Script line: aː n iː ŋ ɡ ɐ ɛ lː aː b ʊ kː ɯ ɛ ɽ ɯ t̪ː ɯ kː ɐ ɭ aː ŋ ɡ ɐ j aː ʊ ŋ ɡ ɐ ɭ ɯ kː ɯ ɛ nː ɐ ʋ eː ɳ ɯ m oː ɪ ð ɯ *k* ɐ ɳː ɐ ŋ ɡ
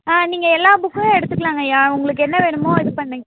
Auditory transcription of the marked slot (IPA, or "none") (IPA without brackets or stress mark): p